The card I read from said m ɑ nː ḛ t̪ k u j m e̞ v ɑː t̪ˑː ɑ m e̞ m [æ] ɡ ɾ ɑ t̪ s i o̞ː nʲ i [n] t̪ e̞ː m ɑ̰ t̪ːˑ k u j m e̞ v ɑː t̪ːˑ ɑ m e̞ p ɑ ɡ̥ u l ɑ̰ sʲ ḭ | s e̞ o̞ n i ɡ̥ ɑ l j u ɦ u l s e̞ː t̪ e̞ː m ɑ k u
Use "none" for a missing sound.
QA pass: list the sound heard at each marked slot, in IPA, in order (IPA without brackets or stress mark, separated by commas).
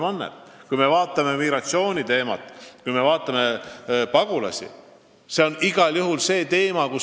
i, none